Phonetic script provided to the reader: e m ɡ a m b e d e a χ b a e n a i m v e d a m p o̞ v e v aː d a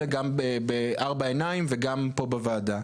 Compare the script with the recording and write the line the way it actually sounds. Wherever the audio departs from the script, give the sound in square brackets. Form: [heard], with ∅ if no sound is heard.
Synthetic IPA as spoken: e [∅] ɡ a m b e [b] e a [ʁ] b a e n a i m v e [ɡ] a m p o̞ [b] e v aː d a